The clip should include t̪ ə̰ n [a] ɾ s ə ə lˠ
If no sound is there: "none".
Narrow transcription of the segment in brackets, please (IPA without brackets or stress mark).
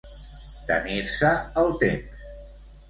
i